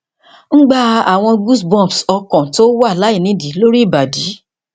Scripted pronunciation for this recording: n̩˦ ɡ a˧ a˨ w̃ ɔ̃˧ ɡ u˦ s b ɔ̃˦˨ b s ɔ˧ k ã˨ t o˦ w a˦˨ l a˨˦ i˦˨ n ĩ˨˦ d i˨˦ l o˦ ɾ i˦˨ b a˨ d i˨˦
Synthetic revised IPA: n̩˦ ɡ͡b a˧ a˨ w̃ ɔ̃˧ ɡ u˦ s b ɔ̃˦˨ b s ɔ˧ k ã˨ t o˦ w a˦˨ l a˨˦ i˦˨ n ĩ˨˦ d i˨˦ l o˦ ɾ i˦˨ b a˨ d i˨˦